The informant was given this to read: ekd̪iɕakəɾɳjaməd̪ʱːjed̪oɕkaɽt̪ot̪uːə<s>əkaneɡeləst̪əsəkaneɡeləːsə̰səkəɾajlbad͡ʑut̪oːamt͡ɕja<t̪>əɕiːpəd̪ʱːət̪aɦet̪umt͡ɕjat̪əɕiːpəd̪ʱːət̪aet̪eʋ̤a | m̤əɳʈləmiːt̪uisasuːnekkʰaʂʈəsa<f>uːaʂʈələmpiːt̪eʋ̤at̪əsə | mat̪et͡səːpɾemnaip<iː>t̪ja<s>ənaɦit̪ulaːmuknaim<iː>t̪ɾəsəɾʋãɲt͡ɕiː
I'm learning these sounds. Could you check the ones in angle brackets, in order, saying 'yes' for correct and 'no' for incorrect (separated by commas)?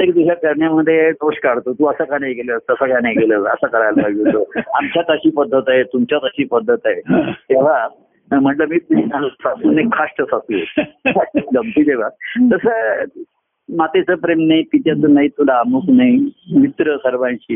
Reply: yes, yes, no, no, no, no